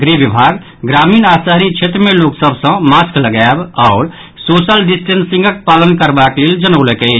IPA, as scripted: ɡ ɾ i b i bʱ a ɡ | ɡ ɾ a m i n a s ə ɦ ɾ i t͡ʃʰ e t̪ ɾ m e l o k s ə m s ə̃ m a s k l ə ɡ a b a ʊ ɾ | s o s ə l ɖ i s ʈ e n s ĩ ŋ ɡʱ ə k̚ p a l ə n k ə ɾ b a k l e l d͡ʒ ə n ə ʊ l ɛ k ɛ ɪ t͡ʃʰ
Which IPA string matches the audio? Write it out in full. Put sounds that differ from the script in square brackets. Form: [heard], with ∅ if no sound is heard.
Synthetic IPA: ɡ ɾ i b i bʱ a ɡ | ɡ ɾ a m i n a s ə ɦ ɾ i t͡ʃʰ e t̪ ɾ m e l o k s ə [b] s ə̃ m a s k l ə ɡ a b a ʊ ɾ | s o s ə l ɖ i s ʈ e n s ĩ ŋ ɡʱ ə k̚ p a l ə n k ə ɾ b a k l e l d͡ʒ ə n ə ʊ l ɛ k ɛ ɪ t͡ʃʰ